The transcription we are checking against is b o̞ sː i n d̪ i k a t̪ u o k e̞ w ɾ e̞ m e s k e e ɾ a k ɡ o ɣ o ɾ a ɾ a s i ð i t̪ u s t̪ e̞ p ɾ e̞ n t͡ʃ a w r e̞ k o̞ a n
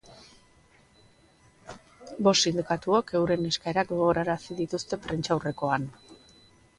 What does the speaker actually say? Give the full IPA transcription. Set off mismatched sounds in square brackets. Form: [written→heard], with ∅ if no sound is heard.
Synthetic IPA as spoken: b o̞ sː i n d̪ i k a t̪ u o k e̞ w ɾ e̞ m e s k [e→a] e ɾ a k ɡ o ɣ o ɾ a ɾ a s i ð i t̪ u s t̪ e̞ p ɾ e̞ n t͡ʃ a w r e̞ k o̞ a n